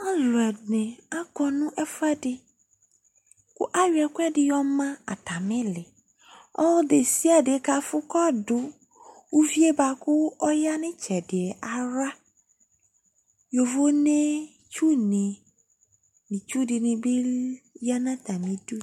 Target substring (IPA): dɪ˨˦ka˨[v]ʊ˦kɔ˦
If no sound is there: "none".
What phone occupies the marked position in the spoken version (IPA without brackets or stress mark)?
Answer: f